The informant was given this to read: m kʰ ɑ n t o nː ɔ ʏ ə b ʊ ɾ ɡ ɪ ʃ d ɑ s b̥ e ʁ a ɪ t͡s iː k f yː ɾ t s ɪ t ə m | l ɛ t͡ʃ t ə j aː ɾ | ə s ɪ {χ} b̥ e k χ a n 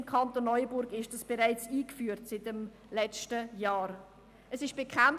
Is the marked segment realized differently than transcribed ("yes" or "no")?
yes